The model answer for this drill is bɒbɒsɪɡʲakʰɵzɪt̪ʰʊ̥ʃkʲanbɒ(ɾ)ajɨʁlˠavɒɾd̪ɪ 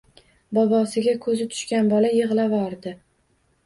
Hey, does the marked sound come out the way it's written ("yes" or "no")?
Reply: no